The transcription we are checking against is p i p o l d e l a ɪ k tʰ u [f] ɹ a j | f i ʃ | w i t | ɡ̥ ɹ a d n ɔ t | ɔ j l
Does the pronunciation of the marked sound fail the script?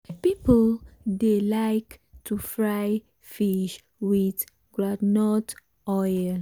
no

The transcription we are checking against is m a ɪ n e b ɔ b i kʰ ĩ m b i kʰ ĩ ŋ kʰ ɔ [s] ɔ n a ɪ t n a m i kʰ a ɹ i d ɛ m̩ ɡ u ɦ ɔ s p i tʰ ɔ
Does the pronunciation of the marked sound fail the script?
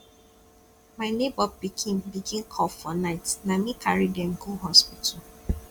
yes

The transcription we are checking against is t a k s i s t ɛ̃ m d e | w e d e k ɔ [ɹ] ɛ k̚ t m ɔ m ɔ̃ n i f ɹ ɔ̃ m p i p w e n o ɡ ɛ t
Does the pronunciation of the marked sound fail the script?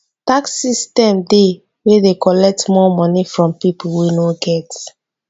yes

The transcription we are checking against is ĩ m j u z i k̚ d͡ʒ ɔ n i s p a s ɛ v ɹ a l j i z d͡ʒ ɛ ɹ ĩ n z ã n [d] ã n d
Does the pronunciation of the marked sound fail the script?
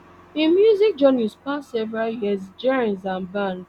yes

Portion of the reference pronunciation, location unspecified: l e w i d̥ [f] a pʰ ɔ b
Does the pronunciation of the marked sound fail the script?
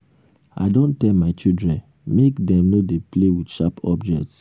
yes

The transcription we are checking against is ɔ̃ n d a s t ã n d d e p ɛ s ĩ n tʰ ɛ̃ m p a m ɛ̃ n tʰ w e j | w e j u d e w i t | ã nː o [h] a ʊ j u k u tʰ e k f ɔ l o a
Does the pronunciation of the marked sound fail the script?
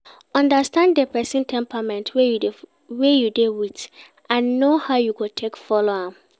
no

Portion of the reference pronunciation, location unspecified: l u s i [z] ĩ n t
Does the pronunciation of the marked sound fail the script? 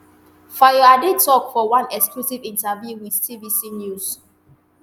yes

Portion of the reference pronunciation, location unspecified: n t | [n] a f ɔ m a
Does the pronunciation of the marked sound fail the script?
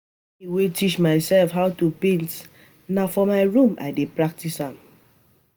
no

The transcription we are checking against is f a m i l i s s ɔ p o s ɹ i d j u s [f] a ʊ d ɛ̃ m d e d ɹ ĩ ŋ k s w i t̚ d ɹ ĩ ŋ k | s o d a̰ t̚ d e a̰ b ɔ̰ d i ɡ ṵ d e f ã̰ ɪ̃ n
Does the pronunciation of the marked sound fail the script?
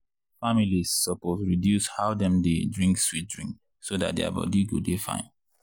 yes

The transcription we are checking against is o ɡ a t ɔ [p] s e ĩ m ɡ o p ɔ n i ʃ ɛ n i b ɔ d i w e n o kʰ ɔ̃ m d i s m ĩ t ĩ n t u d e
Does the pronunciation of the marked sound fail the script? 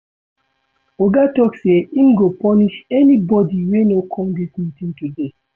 yes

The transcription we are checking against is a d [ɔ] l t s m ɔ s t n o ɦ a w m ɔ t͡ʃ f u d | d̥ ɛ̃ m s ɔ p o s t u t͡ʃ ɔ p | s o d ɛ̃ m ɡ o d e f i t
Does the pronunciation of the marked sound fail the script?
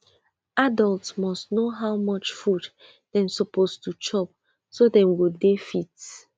no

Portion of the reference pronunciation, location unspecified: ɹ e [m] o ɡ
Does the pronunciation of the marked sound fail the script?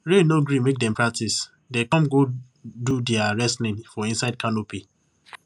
yes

